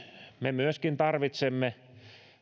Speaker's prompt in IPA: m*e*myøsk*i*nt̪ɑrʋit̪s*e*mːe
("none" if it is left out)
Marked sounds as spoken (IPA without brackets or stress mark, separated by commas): e, i, e